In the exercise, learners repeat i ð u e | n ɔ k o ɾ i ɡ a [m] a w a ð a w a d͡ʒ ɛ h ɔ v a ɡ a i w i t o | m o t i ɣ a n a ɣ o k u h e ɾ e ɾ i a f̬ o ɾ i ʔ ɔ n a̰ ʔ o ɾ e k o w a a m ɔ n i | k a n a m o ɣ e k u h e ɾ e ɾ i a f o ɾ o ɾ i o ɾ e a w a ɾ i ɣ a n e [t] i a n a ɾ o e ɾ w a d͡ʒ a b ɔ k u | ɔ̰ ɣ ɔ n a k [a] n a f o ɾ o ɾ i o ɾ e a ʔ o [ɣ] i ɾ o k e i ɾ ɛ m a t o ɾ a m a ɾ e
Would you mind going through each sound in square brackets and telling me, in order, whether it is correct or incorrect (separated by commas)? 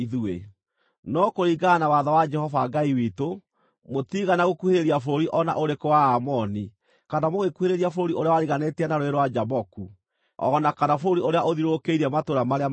incorrect, correct, correct, incorrect